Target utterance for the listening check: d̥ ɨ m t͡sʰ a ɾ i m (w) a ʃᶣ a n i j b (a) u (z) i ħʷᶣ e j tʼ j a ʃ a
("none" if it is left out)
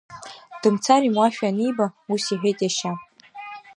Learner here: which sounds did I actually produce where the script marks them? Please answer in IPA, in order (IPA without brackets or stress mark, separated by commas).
w, a, s